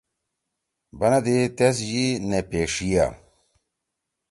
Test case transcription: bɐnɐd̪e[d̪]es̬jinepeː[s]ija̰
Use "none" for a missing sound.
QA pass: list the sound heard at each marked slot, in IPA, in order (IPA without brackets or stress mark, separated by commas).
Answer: t̪, ʂ